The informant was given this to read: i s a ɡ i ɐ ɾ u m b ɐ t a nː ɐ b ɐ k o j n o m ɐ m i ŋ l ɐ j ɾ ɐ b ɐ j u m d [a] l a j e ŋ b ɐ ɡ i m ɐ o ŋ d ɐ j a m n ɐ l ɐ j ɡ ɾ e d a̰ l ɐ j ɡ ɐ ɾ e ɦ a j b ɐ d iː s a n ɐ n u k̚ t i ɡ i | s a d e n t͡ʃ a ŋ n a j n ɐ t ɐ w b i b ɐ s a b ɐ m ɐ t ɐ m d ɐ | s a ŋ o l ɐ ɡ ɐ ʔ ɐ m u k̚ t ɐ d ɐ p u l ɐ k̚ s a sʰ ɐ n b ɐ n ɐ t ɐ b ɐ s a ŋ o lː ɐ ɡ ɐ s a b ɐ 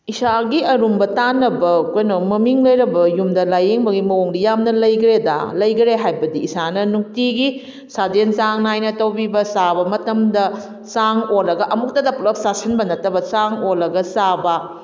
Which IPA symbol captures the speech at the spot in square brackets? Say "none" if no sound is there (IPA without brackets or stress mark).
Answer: ɐ